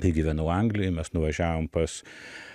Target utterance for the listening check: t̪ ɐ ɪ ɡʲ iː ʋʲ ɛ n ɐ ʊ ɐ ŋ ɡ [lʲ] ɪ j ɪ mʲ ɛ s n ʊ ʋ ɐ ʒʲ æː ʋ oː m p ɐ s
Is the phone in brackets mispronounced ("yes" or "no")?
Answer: no